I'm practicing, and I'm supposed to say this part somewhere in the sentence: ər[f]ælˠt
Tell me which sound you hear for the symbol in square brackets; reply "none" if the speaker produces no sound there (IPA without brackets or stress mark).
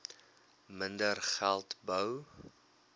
χ